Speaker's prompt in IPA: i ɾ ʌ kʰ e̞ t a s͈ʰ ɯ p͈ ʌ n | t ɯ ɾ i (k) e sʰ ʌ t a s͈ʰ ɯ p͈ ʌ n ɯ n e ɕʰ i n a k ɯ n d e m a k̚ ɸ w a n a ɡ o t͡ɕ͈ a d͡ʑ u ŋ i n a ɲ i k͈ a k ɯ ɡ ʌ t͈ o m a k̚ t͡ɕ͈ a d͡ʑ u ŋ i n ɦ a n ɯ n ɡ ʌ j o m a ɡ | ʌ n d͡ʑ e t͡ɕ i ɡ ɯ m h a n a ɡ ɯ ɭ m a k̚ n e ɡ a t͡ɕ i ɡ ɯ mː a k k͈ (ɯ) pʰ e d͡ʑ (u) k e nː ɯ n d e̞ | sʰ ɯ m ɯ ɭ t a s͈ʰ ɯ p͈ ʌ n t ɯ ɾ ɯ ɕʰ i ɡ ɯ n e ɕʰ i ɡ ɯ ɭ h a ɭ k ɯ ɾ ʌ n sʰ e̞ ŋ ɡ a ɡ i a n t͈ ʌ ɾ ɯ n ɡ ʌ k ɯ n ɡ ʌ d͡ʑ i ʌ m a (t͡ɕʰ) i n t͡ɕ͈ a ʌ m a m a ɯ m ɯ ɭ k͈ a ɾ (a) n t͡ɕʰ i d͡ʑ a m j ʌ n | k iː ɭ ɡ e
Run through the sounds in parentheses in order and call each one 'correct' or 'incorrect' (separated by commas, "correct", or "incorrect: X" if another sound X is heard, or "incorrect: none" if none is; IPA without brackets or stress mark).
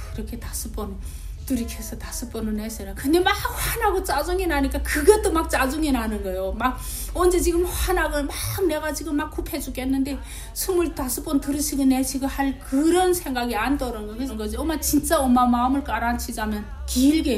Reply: incorrect: kʰ, incorrect: u, correct, incorrect: t͡ɕ, correct